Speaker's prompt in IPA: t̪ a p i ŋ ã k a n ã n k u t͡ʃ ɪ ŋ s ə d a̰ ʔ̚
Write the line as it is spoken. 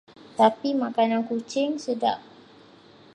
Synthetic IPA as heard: t̪ a p i m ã k a n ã n k u t͡ʃ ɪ ŋ s ə d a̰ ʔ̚